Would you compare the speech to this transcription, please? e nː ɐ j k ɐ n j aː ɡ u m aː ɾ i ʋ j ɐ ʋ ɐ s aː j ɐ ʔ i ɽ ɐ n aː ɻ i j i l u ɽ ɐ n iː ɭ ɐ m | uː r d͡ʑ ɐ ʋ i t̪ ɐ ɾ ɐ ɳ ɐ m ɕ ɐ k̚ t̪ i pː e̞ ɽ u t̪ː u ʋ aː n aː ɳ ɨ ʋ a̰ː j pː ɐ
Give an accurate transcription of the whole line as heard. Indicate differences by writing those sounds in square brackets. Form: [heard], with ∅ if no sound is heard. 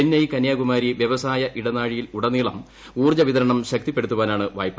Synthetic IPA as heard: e nː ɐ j k ɐ n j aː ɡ u m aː ɾ i ʋ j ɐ ʋ ɐ s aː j ɐ ʔ i ɽ ɐ n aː ɻ i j i l u ɽ ɐ n iː ɭ ɐ m | uː r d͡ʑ ɐ ʋ i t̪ ɐ ɾ ɐ ɳ ɐ m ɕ ɐ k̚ t̪ i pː e̞ ɽ u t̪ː u ʋ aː n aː ɳ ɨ ʋ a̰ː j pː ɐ